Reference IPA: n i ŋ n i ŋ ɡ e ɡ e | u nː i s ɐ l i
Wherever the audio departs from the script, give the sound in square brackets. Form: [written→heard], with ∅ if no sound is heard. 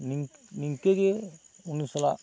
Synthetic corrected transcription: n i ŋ n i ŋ [ɡ→k] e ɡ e | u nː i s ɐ l [i→a]